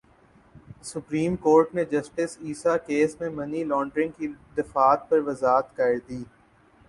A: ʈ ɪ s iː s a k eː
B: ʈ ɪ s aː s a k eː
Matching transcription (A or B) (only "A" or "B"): A